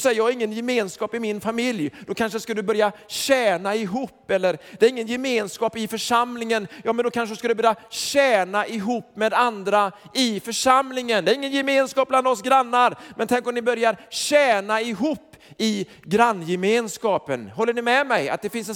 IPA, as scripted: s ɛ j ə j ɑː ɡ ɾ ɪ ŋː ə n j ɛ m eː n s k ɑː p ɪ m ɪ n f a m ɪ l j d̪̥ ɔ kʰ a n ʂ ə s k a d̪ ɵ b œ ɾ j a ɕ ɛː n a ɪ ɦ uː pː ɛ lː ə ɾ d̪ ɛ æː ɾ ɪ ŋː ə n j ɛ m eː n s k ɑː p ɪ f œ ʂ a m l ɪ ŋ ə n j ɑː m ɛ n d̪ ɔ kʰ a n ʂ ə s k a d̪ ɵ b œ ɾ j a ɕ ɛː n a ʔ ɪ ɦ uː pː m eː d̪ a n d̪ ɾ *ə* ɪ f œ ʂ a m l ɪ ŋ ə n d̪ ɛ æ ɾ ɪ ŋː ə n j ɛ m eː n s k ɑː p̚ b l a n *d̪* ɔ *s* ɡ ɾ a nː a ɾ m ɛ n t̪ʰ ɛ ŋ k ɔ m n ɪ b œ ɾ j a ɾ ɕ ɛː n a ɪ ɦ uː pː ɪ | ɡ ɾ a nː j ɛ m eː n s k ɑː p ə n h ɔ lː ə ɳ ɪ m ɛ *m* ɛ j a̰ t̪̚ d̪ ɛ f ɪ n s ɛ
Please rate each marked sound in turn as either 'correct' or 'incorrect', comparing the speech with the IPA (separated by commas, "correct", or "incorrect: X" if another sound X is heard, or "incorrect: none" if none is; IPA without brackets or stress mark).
incorrect: a, correct, correct, correct